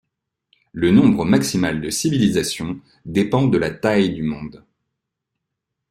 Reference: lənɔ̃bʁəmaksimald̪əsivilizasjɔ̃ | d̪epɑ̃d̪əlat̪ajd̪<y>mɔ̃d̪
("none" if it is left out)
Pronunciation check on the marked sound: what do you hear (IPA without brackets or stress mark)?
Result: y